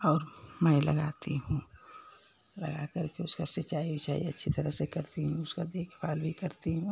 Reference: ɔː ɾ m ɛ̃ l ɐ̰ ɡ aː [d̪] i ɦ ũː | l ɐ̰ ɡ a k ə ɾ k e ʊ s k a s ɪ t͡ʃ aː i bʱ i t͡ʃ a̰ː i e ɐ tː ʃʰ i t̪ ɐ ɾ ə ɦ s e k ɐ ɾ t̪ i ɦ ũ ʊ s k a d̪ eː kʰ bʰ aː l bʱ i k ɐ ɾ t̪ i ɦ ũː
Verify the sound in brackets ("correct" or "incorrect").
incorrect